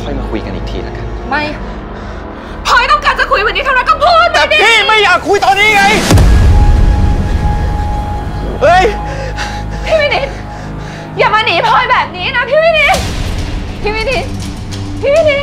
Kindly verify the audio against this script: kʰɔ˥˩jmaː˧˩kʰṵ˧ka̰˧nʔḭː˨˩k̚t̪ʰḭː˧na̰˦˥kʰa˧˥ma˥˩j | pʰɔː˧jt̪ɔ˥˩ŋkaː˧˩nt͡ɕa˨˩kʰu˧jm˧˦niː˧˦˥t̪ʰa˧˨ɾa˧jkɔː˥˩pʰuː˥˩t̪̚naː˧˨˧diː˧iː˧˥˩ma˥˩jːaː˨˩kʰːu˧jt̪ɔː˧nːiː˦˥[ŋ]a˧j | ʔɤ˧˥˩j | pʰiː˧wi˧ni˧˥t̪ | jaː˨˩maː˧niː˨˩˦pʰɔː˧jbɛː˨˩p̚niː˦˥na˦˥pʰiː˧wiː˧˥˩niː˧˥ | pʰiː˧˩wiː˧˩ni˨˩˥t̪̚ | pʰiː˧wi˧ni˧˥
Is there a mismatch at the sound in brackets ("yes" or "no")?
no